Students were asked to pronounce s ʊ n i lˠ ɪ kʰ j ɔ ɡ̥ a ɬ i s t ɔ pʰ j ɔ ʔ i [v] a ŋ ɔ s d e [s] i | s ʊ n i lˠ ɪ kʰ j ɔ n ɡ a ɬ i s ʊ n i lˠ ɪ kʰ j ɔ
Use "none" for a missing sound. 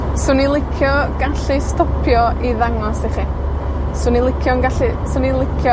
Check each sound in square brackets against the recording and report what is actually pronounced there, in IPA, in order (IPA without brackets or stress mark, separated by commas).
ð, χ